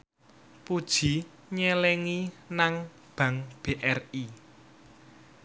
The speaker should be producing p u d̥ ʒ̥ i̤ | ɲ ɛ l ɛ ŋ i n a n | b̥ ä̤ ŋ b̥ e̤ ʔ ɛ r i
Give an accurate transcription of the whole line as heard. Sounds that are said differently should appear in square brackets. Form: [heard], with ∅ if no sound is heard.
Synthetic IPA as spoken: p u d̥ ʒ̥ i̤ | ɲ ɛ l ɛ ŋ i n a [ŋ] | b̥ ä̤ ŋ b̥ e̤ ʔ ɛ r i